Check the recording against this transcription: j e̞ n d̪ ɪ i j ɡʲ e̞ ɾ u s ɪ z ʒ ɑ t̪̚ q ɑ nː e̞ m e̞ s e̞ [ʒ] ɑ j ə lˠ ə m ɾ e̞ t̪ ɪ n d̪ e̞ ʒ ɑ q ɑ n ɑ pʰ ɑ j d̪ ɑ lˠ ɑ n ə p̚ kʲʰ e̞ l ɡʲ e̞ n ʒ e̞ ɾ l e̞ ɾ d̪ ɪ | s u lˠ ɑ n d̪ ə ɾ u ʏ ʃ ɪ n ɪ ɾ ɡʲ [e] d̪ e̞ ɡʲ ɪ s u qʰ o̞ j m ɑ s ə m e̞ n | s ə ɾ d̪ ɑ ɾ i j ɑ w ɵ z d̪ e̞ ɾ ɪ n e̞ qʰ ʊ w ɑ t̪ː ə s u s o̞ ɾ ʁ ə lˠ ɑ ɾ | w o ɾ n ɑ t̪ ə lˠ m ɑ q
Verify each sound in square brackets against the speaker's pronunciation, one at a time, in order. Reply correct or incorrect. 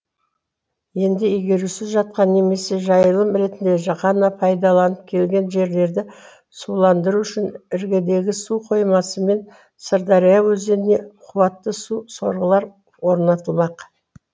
correct, correct

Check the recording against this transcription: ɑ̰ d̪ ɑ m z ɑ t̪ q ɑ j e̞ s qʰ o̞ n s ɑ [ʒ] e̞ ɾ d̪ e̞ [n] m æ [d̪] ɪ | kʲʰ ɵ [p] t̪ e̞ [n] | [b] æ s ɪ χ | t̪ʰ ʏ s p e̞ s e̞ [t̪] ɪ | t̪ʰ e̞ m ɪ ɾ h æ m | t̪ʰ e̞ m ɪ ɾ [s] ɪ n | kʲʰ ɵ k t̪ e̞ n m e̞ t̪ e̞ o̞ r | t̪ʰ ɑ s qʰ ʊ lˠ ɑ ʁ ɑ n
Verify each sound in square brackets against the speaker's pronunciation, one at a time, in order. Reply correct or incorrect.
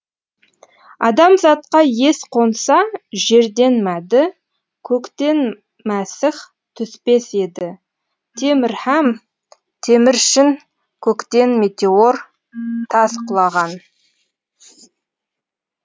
correct, correct, correct, incorrect: k, correct, incorrect: m, incorrect: d̪, incorrect: ʃ

